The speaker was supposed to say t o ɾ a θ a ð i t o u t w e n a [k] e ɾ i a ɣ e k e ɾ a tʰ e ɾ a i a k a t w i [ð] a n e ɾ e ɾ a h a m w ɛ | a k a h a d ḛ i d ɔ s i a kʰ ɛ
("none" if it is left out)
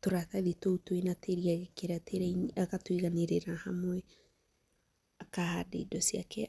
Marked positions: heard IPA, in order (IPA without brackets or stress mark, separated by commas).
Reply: t, ɣ